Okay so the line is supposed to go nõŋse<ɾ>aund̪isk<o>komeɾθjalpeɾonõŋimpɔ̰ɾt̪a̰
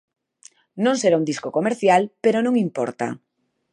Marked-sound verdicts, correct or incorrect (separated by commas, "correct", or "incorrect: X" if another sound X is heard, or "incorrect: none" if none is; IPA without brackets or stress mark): correct, correct